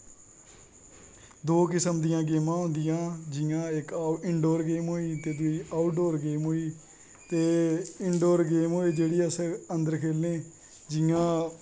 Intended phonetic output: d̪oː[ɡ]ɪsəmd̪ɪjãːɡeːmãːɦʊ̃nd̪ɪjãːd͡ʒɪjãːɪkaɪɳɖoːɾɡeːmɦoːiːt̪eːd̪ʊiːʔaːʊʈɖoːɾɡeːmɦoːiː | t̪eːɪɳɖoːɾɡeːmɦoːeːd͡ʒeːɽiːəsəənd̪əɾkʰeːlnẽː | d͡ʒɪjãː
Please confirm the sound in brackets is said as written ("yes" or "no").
no